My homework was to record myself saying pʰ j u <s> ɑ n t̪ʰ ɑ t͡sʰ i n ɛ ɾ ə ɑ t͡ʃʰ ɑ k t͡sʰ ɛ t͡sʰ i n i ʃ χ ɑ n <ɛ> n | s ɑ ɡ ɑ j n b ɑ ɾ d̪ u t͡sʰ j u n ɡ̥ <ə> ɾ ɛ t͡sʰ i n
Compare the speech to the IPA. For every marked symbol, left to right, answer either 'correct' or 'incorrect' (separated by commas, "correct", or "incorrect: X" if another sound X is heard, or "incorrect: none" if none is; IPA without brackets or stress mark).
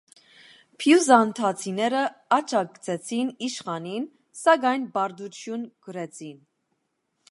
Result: incorrect: z, incorrect: i, correct